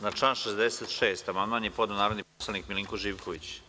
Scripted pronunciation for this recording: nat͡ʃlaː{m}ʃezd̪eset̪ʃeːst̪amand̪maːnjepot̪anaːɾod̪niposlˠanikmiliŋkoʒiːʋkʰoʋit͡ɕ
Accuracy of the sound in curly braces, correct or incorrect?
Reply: incorrect